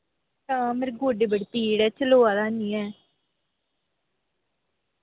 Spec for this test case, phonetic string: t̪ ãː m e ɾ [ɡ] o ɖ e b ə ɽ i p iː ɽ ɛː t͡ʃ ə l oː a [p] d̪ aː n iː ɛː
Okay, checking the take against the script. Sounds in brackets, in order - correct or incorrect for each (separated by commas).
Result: correct, incorrect